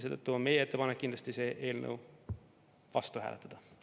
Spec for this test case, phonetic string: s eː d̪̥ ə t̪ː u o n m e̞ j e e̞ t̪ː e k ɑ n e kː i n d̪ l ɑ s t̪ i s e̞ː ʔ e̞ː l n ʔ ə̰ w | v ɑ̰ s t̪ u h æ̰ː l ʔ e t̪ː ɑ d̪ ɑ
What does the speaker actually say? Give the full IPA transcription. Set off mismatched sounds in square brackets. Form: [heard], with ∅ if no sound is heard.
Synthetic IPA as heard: s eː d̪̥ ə t̪ː u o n m e̞ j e e̞ t̪ː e [p] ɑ n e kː i n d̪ l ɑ s t̪ i s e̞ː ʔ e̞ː l n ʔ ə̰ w | v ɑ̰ s t̪ u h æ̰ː l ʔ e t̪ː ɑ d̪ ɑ